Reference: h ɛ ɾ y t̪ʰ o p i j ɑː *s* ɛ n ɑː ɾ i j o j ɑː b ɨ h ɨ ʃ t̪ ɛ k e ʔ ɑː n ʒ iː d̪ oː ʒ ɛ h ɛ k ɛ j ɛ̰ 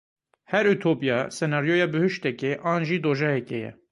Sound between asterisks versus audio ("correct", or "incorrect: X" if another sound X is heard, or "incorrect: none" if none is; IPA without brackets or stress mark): correct